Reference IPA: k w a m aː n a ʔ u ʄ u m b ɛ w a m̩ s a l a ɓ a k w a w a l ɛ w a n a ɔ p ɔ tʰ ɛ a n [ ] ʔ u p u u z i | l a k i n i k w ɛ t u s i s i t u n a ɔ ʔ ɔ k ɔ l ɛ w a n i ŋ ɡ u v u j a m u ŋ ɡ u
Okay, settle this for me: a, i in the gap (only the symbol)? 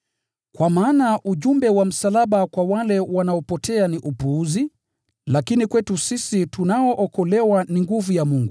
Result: i